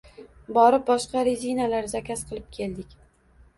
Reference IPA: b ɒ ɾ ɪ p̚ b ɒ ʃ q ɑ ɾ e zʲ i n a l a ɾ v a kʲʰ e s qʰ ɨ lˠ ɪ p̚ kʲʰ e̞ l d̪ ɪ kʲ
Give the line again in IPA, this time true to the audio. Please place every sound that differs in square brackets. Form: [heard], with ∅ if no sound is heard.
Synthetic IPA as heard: b ɒ ɾ ɪ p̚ b ɒ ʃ q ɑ ɾ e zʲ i n a l a ɾ [z] a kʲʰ [a] s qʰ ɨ lˠ ɪ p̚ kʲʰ e̞ l d̪ ɪ kʲ